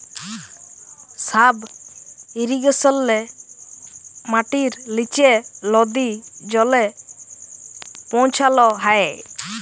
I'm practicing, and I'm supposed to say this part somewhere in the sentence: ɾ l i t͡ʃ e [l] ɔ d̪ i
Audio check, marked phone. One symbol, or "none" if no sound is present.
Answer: l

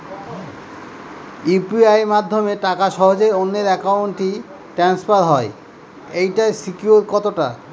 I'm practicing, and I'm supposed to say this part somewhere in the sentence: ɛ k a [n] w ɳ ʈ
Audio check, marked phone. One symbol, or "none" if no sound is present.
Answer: none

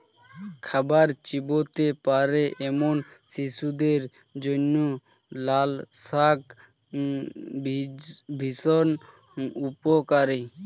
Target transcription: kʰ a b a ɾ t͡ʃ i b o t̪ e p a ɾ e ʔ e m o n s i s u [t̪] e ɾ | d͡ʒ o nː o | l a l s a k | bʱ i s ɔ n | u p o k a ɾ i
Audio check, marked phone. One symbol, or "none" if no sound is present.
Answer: d̪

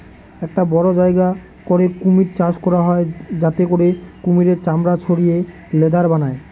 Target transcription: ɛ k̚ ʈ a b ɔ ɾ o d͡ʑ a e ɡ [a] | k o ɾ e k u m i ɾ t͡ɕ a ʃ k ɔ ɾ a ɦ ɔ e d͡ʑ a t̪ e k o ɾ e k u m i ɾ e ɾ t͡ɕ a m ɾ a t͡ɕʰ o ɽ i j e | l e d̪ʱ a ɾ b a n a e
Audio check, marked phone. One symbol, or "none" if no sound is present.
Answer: a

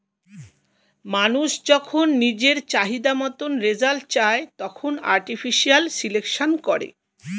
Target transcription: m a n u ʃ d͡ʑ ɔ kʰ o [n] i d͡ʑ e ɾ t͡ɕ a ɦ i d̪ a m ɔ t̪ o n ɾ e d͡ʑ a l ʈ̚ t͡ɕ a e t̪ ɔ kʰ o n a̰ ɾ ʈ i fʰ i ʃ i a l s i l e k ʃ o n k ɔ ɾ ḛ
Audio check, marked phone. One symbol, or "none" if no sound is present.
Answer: nː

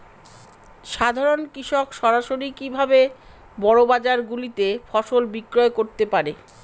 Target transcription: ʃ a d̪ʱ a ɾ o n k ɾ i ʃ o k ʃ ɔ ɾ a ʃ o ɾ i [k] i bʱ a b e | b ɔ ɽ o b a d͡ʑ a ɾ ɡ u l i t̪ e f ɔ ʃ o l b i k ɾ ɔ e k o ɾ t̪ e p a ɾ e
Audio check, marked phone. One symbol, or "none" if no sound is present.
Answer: k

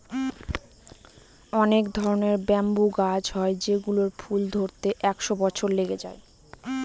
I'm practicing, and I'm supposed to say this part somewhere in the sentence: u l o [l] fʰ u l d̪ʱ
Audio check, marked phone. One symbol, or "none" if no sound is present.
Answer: ɾ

